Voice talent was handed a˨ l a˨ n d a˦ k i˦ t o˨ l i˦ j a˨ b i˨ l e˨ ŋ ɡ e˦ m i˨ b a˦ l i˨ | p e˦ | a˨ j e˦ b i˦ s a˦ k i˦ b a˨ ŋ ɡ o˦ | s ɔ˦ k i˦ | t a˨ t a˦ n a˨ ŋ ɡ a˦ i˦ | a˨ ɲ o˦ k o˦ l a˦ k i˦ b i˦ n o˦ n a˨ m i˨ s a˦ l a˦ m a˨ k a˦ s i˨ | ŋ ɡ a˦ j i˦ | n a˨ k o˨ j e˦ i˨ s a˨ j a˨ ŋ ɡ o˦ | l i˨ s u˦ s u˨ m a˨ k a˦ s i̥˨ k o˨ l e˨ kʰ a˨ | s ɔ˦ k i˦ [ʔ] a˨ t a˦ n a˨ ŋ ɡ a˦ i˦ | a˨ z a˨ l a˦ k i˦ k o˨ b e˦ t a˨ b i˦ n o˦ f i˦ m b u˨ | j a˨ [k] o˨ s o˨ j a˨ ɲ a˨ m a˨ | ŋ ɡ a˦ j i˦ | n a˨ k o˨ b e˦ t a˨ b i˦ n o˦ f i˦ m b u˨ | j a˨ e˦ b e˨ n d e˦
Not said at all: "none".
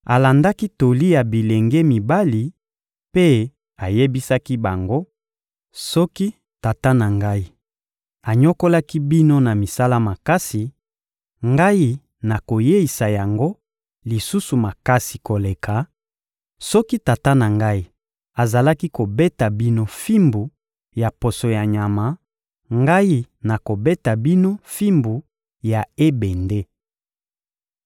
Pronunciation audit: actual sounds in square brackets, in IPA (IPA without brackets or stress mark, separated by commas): t, p